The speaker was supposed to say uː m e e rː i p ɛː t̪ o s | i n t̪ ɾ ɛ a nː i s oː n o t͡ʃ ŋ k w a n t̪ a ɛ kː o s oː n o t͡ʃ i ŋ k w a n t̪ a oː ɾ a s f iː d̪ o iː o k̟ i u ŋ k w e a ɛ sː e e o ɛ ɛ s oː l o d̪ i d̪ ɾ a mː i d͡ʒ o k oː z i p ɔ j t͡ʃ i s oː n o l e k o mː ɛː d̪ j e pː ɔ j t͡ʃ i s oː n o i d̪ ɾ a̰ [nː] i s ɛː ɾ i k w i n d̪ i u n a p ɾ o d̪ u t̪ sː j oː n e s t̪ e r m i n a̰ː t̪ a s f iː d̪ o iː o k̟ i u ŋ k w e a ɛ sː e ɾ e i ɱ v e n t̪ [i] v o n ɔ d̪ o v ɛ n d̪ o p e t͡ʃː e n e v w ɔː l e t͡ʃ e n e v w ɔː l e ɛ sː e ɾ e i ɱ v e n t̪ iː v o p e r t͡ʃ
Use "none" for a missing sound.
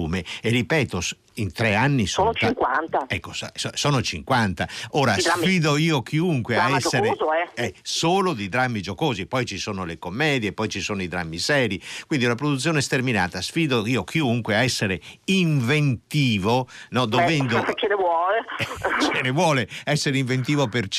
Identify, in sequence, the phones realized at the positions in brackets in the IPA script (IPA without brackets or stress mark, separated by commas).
mː, iː